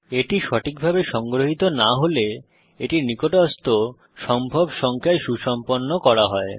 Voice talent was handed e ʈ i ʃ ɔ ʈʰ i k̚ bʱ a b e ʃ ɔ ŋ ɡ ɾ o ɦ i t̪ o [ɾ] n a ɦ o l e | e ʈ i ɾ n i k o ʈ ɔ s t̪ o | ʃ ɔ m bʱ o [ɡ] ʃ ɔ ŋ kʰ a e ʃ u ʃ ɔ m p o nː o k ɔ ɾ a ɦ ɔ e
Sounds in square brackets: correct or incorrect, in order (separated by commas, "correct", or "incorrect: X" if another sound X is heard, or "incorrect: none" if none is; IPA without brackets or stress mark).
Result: incorrect: none, incorrect: b